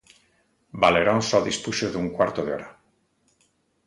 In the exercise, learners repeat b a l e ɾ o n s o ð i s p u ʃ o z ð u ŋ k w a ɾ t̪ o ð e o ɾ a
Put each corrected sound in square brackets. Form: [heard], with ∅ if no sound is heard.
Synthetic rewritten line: b a l e ɾ o n s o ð i s p u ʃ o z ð u ŋ k w a ɾ t̪ o ð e o ɾ a